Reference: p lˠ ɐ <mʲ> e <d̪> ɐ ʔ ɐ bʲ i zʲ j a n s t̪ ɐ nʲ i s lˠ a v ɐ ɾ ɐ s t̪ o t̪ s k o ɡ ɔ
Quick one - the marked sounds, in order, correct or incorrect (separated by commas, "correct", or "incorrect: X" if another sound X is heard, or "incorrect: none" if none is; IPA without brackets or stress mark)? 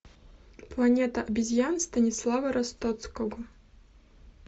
incorrect: nʲ, incorrect: t̪